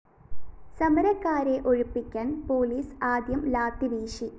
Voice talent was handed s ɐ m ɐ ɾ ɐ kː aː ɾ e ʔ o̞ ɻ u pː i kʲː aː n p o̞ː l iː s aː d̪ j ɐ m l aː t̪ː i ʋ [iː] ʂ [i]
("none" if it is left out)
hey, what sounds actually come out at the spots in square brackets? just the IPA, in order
iː, i

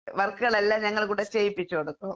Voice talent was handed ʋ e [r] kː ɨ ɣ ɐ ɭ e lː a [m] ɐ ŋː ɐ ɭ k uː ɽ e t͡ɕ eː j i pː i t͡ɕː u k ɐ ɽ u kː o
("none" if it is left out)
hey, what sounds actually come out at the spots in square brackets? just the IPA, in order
r, ɲ

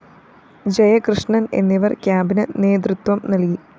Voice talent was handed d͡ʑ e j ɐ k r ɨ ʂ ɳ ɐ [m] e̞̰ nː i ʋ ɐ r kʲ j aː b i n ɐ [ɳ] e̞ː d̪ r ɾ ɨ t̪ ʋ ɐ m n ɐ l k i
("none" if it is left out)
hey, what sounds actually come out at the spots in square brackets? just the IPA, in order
n, n

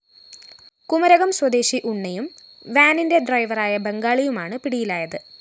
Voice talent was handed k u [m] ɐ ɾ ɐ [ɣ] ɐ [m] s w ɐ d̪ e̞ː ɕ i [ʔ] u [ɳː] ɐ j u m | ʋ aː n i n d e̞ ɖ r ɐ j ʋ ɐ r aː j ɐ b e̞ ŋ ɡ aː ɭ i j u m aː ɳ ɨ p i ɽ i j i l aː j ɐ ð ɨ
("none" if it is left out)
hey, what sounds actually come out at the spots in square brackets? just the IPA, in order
m, ɣ, m, ʔ, ɳː

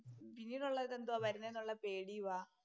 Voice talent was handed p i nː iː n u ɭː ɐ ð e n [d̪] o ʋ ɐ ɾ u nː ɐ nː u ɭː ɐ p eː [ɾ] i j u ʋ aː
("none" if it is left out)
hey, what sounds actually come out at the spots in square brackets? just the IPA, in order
d̪, ɽ

